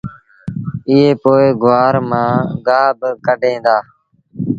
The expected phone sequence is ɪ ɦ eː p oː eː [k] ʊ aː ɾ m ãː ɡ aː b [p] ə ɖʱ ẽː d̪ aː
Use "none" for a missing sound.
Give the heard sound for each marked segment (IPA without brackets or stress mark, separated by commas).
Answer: ɡ, k